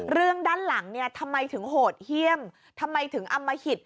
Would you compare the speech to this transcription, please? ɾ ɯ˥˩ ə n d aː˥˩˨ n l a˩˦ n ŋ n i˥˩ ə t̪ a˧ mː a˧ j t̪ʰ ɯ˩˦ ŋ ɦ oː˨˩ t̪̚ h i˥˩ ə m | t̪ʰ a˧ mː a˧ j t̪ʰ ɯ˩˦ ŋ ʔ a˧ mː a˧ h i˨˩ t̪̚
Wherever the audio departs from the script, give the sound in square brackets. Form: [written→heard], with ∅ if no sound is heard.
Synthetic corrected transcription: ɾ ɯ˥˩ ə [n→ŋ] d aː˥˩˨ n l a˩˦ [n→∅] ŋ n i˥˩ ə [t̪→t̪ʰ] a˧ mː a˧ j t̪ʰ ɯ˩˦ ŋ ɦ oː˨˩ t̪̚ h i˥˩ ə m | t̪ʰ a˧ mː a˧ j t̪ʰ ɯ˩˦ ŋ ʔ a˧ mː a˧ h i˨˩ t̪̚